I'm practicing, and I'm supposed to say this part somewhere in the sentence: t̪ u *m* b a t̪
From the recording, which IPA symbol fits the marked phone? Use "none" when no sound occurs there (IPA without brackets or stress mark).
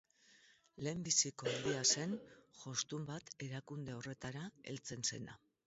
m